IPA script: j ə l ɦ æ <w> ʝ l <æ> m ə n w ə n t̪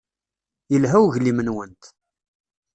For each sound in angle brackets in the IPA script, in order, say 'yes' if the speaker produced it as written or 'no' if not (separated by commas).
yes, no